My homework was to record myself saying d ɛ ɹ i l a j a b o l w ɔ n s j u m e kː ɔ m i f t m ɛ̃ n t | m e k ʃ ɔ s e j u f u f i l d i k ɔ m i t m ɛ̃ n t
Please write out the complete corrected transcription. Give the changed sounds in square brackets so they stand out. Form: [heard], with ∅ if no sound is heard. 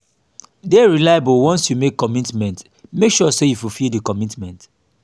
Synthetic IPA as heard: d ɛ ɹ i l a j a b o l w [ɔ̃] n s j u m e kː ɔ m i [∅] t m ɛ̃ n t | m e k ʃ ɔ s e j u f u f i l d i k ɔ m i t m ɛ̃ n t